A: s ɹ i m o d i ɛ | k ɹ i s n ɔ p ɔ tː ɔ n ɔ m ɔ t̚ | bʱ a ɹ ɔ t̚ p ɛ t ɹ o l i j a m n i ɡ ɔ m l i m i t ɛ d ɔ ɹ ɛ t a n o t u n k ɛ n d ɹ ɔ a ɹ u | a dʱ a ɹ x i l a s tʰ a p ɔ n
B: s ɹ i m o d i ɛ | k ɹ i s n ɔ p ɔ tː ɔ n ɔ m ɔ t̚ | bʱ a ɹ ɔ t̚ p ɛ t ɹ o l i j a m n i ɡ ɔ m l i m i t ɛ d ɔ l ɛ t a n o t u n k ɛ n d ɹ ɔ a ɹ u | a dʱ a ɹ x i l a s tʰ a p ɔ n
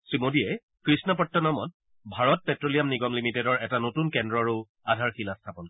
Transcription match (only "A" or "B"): A